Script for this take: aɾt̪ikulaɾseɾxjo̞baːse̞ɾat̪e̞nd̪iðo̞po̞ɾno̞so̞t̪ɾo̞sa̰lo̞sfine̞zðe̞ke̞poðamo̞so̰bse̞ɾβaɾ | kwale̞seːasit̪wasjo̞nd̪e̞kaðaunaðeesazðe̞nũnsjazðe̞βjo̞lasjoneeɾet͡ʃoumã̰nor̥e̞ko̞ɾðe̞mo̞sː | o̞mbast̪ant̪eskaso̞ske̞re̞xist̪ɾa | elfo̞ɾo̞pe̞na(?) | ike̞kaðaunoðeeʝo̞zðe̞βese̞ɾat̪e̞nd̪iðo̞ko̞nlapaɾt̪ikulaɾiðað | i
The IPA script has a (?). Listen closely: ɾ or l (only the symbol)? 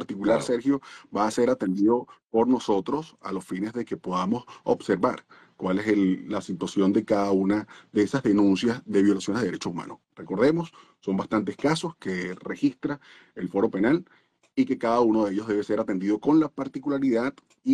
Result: l